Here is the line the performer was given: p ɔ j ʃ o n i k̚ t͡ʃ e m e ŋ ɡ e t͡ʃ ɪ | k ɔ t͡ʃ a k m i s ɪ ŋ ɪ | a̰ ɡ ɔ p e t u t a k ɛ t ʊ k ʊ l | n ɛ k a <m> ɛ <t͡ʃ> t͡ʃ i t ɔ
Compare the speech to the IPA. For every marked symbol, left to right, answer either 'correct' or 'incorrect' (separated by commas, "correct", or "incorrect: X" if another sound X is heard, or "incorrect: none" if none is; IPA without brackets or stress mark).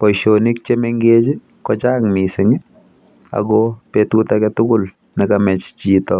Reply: correct, correct